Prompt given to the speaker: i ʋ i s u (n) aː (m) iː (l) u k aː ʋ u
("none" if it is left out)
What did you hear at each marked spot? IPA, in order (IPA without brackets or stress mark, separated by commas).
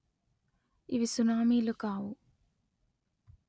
n, m, l